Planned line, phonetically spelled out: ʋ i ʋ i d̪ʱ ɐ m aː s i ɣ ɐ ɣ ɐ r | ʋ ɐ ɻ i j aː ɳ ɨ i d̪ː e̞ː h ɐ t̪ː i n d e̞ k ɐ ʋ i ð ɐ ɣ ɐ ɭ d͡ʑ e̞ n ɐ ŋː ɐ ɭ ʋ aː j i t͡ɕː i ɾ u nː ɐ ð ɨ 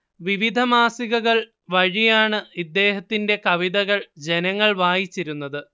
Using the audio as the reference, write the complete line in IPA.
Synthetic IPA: ʋ i ʋ i d̪ʱ ɐ m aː s i ɣ ɐ ɣ ɐ ɭ | ʋ ɐ ɻ i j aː ɳ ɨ i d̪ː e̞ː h ɐ t̪ː i n d e̞ k ɐ ʋ i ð ɐ ɣ ɐ ɭ d͡ʑ e̞ n ɐ ŋː ɐ ɭ ʋ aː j i t͡ɕː i ɾ u nː ɐ ð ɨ